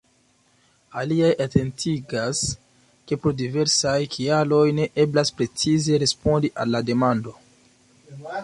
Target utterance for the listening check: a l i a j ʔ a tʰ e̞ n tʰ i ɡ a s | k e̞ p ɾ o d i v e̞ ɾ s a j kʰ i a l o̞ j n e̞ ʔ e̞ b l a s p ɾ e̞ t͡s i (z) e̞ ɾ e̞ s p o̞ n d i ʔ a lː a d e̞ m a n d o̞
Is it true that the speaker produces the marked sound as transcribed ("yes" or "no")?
yes